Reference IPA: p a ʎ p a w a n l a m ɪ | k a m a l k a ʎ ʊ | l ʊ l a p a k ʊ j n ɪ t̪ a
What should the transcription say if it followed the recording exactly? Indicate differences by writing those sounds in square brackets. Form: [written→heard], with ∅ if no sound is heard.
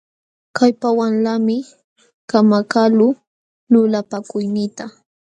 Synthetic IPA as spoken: [p→k] a [ʎ→j] p a w a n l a m ɪ | k a m a [l→∅] k a [ʎ→l] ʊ | l ʊ l a p a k ʊ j n ɪ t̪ a